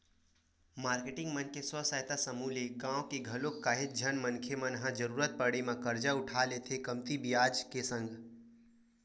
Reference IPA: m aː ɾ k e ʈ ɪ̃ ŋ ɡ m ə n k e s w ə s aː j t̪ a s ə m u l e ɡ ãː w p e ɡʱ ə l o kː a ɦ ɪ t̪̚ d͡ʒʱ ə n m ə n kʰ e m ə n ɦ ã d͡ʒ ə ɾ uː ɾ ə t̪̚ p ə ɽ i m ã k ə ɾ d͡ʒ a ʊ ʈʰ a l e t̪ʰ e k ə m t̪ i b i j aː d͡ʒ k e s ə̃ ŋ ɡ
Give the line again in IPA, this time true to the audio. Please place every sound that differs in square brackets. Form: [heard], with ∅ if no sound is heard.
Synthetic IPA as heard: m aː ɾ k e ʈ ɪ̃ ŋ ɡ m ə n k e s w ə s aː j t̪ a s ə m u l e ɡ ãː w [k] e ɡʱ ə l o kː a ɦ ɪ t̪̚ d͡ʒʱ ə n m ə n kʰ e m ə n ɦ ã d͡ʒ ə ɾ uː ɾ ə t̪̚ p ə ɽ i m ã k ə ɾ d͡ʒ a ʊ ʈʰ a l e t̪ʰ e k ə m t̪ i b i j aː d͡ʒ k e s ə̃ ŋ ɡ